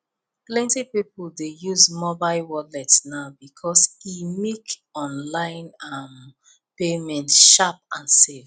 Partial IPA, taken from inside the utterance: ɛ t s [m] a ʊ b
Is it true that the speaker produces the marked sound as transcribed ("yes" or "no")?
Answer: no